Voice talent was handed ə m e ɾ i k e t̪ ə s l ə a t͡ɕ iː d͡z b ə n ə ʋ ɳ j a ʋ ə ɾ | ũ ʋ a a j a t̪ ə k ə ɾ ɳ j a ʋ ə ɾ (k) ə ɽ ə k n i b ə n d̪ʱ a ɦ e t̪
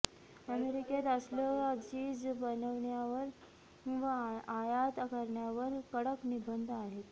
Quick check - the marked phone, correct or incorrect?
correct